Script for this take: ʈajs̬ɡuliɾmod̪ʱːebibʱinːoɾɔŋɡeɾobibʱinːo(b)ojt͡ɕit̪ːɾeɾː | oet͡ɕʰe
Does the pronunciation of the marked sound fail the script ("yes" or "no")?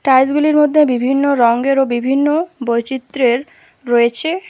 no